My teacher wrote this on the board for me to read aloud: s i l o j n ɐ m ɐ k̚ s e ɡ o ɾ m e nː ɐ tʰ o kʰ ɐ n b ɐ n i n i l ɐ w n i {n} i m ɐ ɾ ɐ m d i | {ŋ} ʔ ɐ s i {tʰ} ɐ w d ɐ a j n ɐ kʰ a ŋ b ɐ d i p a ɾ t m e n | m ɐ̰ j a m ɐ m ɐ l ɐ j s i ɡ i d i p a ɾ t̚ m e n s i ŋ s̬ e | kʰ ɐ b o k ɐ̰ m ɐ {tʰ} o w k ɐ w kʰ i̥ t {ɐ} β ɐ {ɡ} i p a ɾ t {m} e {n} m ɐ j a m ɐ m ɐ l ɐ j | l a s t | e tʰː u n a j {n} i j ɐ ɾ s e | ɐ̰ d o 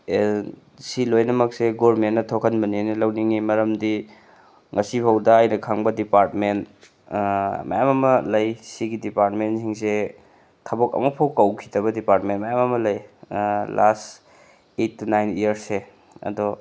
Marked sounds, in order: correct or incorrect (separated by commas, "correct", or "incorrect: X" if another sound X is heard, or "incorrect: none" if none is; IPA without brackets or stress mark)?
incorrect: ŋ, correct, incorrect: pʰ, incorrect: pʰ, correct, incorrect: d, correct, correct, correct